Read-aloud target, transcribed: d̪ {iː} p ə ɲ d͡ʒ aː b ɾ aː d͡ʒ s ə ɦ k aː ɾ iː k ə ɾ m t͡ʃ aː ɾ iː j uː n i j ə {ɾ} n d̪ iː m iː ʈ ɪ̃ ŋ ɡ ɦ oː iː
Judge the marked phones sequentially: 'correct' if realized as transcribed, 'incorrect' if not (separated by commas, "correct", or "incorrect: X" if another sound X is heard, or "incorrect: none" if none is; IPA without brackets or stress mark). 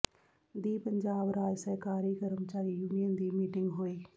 correct, incorrect: none